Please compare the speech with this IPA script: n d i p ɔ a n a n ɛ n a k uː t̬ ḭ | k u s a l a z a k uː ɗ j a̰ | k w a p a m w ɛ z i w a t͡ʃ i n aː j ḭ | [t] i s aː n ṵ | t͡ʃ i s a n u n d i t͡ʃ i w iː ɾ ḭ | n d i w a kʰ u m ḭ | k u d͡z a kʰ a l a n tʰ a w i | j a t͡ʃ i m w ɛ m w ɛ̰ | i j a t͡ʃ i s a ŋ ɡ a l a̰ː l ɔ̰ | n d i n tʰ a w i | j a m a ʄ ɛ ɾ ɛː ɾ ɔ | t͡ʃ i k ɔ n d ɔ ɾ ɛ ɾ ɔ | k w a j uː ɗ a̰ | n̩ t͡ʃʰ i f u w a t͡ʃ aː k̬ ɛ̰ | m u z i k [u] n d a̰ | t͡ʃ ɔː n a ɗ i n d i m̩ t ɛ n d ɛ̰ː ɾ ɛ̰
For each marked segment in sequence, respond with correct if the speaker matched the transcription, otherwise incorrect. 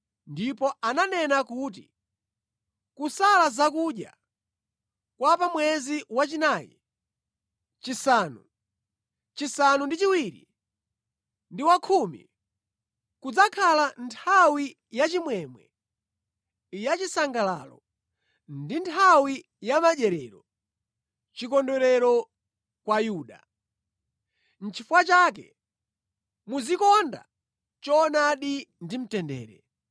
incorrect, incorrect

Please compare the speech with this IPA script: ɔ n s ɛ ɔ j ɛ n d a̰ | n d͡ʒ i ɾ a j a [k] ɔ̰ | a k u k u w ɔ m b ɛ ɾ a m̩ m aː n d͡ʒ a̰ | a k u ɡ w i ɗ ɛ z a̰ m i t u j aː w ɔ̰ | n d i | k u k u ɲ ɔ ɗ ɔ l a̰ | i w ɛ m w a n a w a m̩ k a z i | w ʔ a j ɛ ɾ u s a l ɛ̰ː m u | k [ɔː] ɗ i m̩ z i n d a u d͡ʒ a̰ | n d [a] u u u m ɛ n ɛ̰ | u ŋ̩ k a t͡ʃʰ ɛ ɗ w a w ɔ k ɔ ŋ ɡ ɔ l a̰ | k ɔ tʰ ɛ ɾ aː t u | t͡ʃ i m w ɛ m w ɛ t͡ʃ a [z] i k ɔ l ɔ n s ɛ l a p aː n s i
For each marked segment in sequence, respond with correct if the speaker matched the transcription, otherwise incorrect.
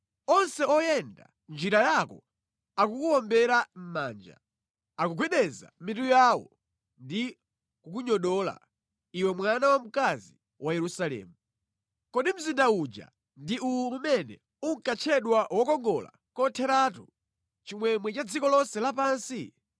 correct, incorrect, incorrect, incorrect

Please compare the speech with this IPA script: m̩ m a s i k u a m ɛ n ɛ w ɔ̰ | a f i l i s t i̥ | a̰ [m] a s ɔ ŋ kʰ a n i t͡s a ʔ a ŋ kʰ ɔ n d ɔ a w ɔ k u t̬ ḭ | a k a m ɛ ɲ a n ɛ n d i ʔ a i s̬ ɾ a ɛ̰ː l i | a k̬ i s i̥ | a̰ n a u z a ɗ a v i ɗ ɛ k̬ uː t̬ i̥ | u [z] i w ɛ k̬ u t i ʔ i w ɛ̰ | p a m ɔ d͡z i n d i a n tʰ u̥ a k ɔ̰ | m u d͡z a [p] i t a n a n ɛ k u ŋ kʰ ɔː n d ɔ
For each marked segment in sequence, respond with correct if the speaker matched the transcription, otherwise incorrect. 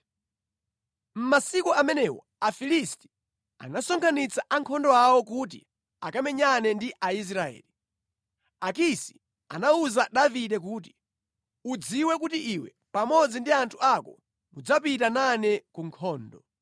incorrect, incorrect, correct

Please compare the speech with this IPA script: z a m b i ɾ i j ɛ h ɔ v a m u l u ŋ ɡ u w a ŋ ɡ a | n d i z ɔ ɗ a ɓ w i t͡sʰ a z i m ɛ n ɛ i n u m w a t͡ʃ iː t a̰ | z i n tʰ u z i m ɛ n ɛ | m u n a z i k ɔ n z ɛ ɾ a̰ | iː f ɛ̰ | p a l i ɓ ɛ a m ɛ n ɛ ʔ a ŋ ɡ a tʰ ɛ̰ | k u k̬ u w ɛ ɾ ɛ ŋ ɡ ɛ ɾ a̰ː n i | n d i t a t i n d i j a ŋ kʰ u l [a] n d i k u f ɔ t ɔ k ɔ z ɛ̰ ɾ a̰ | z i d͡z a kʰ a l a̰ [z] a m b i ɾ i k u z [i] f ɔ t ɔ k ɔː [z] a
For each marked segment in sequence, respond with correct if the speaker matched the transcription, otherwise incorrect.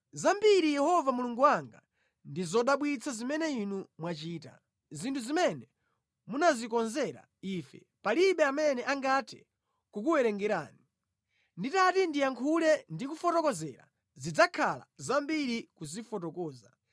incorrect, correct, correct, correct

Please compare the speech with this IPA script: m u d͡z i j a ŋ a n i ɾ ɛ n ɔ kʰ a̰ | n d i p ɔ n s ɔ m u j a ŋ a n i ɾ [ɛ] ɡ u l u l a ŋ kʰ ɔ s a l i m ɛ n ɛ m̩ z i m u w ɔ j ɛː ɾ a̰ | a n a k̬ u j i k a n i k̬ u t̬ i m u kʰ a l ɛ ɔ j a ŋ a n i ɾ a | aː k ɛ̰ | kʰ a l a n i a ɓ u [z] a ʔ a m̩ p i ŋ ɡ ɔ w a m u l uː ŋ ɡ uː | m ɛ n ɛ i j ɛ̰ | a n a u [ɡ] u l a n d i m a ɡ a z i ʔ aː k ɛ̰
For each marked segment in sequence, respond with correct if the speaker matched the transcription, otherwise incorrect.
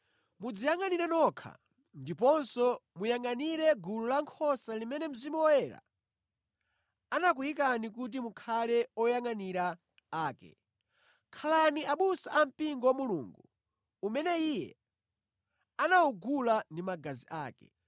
correct, incorrect, correct

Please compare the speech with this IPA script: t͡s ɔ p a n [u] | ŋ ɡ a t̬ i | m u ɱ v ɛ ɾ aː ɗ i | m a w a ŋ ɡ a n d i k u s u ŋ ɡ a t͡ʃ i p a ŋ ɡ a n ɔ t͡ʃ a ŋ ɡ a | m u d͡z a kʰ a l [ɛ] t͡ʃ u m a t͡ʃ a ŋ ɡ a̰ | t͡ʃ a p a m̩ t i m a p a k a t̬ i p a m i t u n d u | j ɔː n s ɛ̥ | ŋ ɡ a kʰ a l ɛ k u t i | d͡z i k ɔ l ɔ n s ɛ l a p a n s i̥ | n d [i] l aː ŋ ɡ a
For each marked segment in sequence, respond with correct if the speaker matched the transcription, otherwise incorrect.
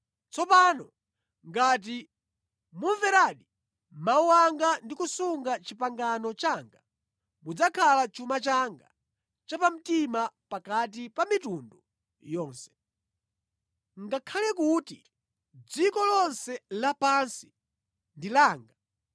incorrect, incorrect, correct

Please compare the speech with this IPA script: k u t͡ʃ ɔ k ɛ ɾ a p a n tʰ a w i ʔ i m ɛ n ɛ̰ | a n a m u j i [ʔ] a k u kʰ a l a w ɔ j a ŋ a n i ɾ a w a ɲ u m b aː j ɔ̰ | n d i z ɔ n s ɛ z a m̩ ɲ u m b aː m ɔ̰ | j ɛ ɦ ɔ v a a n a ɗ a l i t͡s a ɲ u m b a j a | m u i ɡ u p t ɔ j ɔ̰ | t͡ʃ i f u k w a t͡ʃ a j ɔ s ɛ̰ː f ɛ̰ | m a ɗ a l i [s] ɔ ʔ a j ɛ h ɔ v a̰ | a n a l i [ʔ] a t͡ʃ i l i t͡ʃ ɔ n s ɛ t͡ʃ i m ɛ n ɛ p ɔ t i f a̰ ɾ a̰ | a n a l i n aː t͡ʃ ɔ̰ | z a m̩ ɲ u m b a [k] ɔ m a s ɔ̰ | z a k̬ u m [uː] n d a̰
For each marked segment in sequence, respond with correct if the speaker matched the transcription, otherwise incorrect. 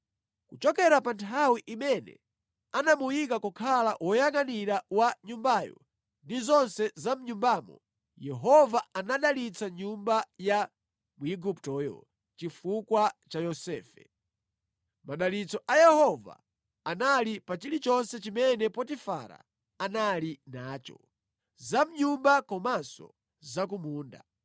incorrect, incorrect, incorrect, correct, correct

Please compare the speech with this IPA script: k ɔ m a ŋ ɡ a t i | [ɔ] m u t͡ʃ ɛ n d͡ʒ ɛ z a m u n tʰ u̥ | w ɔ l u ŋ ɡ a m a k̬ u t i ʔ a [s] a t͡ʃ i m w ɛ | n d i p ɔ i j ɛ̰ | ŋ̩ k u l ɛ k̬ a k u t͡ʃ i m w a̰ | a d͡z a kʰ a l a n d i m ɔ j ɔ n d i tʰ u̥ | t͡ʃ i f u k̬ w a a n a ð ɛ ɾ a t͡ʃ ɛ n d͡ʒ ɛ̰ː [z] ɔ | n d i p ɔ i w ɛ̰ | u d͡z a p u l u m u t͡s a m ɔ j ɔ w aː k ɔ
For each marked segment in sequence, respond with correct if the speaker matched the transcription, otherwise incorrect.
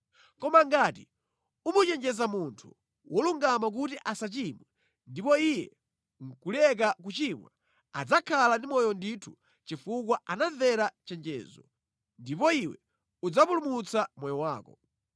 incorrect, correct, correct

